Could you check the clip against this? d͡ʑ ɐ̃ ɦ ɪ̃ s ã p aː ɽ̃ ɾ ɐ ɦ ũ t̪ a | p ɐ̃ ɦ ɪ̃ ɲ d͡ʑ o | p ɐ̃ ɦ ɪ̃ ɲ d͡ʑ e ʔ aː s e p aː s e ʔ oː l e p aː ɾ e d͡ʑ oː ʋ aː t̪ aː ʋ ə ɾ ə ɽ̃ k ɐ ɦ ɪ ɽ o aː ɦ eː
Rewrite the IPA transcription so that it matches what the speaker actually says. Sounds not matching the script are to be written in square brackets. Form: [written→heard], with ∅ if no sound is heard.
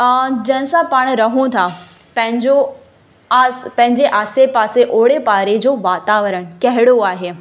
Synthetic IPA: d͡ʑ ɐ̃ ɦ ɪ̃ s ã p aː ɽ̃ ɾ ɐ ɦ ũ [t̪→t̪ʰ] a | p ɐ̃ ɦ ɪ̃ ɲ d͡ʑ o | p ɐ̃ ɦ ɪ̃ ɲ d͡ʑ e ʔ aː s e p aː s e ʔ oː [l→ɽ] e p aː ɾ e d͡ʑ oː ʋ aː t̪ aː ʋ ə ɾ ə ɽ̃ k ɐ ɦ ɪ ɽ o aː ɦ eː